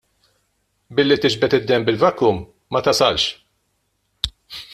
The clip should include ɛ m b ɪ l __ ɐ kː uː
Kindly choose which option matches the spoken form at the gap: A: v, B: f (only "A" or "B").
A